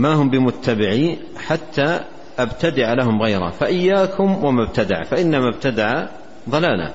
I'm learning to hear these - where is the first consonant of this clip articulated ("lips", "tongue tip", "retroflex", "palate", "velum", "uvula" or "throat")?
lips